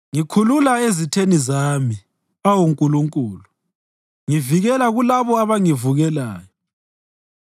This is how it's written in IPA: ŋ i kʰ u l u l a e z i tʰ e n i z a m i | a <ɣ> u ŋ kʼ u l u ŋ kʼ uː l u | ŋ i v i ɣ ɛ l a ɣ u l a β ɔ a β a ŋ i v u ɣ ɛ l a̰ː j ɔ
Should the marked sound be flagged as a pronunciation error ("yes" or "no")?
yes